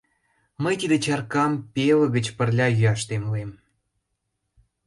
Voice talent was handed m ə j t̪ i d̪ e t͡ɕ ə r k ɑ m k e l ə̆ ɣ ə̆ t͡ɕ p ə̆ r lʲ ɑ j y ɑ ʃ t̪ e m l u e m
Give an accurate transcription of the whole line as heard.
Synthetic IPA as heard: m ə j t̪ i d̪ e t͡ɕ ɑ r k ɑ m p e l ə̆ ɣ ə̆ t͡ɕ p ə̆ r lʲ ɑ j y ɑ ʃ t̪ e m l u e m